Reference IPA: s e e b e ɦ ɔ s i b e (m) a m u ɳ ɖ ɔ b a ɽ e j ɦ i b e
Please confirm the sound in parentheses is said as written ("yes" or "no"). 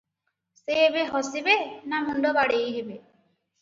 no